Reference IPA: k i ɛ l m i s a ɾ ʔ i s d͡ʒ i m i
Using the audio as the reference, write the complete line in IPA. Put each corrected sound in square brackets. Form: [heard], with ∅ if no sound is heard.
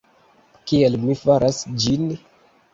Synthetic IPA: k i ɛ l m i [f] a ɾ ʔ [a] s d͡ʒ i [n] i